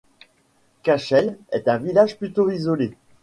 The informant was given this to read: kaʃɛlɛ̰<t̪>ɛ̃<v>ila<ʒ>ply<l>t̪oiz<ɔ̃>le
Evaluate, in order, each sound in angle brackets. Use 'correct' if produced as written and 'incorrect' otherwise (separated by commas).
correct, correct, correct, incorrect, incorrect